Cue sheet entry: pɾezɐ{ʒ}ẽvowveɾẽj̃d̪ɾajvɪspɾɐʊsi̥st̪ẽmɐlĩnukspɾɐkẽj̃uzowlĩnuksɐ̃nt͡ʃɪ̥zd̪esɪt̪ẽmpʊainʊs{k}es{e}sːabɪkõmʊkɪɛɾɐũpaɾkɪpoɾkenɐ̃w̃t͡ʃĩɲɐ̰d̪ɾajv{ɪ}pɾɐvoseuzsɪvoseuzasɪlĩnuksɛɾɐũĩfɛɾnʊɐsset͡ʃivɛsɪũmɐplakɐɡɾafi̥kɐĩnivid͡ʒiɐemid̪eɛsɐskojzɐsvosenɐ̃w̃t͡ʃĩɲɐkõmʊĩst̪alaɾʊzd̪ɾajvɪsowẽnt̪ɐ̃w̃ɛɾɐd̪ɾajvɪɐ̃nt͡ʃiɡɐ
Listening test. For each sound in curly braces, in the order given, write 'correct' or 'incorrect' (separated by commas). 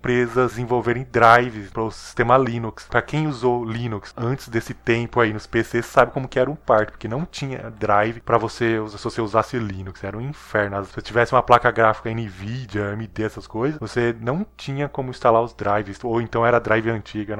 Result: incorrect, incorrect, correct, correct